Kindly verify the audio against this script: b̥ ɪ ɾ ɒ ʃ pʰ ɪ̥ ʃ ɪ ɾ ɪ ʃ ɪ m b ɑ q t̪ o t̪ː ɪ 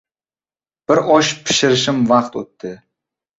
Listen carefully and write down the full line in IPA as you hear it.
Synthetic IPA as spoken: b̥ ɪ ɾ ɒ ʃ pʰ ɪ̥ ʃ ɪ ɾ ɪ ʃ ɪ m v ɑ q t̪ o t̪ː ɪ